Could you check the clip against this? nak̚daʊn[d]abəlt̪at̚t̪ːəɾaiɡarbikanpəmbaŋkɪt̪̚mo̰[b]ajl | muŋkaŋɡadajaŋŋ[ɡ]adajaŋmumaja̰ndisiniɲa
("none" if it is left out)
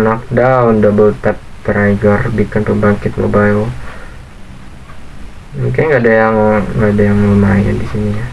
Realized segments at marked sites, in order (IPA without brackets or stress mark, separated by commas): d, b, ɡ